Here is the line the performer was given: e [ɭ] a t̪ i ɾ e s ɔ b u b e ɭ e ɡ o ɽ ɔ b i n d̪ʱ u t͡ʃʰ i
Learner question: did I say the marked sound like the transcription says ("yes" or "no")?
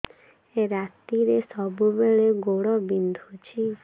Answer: no